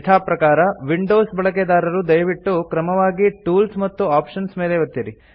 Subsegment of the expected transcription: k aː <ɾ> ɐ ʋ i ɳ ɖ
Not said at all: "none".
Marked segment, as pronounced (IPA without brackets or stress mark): ɾ